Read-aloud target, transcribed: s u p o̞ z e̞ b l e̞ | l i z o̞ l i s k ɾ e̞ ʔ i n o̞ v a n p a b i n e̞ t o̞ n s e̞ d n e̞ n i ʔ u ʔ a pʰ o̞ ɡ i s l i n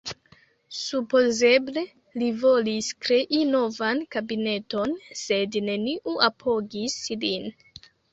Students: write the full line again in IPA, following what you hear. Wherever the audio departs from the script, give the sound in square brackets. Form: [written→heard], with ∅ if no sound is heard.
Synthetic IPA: s u p o̞ z e̞ b l e̞ | l i [z→v] o̞ l i s k ɾ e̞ ʔ i n o̞ v a n [p→k] a b i n e̞ t o̞ n s e̞ d n e̞ n i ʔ u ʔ a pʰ o̞ ɡ i s l i n